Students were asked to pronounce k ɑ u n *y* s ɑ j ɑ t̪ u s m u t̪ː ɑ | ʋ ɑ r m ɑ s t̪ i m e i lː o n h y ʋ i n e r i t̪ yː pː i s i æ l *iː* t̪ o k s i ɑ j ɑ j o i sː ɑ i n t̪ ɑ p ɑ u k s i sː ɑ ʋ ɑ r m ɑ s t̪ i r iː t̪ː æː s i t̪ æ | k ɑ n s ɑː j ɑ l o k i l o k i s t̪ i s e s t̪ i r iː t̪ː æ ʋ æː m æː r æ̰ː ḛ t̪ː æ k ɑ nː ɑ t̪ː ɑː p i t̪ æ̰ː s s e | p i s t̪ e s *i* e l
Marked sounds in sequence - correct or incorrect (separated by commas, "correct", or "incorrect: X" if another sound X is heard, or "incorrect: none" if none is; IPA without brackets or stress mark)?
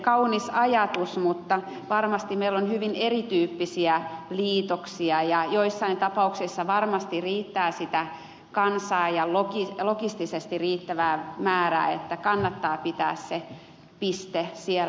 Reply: incorrect: i, correct, correct